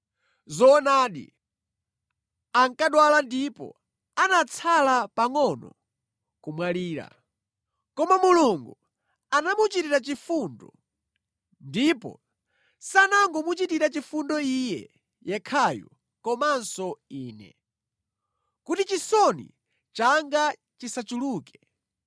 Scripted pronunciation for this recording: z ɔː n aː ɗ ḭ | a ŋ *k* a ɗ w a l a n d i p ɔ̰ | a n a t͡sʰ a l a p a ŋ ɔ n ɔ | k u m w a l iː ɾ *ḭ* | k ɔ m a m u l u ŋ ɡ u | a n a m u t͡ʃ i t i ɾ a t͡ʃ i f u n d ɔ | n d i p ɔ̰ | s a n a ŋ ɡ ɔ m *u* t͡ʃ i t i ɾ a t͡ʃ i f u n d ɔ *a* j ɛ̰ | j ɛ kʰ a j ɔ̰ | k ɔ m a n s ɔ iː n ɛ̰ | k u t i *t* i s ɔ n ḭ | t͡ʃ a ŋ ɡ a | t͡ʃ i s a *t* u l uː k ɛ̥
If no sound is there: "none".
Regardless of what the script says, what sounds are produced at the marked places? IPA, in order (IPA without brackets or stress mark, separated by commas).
k, a̰, u, i, t͡ʃ, t͡ʃ